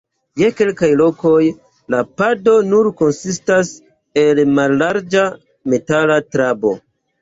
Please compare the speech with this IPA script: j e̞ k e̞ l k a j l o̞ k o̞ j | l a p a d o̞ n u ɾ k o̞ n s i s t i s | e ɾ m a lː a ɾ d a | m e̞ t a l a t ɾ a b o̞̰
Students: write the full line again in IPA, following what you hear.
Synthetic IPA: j e̞ k e̞ l k a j l o̞ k o̞ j | l a p a d o̞ n u ɾ k o̞ n s i s t a s | e l m a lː a ɾ d͡ʒ a | m e̞ t a l a t ɾ a b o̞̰